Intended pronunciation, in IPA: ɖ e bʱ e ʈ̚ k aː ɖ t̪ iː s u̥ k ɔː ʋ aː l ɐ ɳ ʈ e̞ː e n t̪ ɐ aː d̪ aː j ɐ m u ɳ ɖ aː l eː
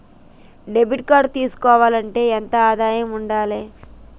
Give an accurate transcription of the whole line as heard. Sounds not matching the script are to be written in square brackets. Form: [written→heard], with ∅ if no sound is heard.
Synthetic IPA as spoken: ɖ e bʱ [e→i] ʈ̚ k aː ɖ t̪ iː s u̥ k ɔː ʋ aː l ɐ ɳ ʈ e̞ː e n t̪ ɐ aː d̪ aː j ɐ m u ɳ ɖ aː l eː